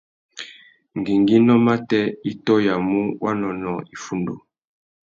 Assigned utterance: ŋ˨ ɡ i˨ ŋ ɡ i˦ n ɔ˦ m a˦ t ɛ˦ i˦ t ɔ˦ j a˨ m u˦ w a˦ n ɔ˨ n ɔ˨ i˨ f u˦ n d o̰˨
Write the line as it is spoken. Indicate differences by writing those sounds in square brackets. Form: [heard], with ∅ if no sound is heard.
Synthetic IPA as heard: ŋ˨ ɡ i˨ ŋ ɡ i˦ n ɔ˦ m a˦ t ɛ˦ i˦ t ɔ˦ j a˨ m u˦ w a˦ n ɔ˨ n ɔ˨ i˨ f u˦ n d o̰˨